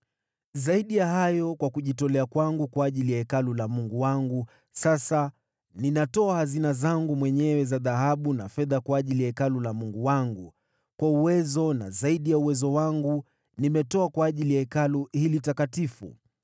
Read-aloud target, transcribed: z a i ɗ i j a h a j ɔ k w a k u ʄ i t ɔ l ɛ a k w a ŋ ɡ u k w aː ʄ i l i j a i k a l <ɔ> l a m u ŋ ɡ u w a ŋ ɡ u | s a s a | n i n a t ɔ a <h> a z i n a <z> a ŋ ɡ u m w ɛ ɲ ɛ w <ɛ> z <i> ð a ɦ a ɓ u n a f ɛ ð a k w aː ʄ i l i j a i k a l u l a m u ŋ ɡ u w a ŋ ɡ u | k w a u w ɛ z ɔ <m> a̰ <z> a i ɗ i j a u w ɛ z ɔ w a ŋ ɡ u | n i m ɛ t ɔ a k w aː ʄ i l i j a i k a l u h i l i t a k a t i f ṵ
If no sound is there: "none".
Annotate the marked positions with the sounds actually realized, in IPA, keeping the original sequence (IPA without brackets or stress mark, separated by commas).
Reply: u, h, z, ɛ, a, n, z